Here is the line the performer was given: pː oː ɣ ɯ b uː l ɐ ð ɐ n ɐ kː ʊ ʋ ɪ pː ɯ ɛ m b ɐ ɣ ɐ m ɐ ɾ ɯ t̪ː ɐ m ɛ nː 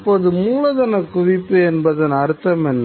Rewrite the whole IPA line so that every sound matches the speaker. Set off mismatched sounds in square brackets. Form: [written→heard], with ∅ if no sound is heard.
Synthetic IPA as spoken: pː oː [ɣ→ð] ɯ [b→m] uː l ɐ ð ɐ n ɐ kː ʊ ʋ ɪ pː ɯ ɛ [m→n] b ɐ [ɣ→ð] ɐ [m→n] ɐ ɾ ɯ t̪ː ɐ m ɛ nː

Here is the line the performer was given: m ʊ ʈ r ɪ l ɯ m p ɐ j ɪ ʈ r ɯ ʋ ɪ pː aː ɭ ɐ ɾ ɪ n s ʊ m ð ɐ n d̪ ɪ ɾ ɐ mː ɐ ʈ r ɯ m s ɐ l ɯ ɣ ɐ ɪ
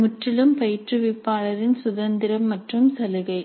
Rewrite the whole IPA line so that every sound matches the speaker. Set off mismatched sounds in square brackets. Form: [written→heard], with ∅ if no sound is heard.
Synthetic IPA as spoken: m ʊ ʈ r ɪ l ɯ m p ɐ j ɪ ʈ r ɯ ʋ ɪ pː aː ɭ ɐ ɾ ɪ n s ʊ [m→∅] ð ɐ n d̪ ɪ ɾ ɐ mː ɐ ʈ r ɯ m s ɐ l ɯ ɣ ɐ ɪ

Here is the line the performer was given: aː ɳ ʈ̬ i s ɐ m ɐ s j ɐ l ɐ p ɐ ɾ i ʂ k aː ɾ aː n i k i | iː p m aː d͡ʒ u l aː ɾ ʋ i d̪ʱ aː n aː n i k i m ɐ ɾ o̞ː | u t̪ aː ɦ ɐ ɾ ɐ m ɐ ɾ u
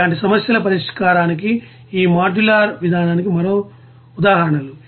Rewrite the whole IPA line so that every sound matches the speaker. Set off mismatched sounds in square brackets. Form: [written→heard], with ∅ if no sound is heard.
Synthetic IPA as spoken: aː ɳ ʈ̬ i s ɐ m ɐ s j ɐ l ɐ p ɐ ɾ i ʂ k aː ɾ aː n i k i | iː [p→∅] m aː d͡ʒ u l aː ɾ ʋ i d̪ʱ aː n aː n i k i m ɐ ɾ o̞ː | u [t̪→d̪] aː ɦ ɐ ɾ ɐ [m→ɳ] ɐ [ɾ→l] u

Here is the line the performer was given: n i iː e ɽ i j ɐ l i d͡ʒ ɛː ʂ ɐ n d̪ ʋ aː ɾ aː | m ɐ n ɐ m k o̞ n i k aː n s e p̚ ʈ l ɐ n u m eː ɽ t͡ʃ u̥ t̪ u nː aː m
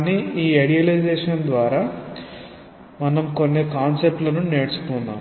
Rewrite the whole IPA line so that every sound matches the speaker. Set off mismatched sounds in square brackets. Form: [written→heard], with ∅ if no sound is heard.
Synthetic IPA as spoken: n i iː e ɽ i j ɐ l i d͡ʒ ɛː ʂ ɐ n d̪ ʋ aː ɾ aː | m ɐ n ɐ m k o̞ [n→nː] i k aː n s e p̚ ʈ l ɐ n u [m→n] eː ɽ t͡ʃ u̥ t̪ u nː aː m

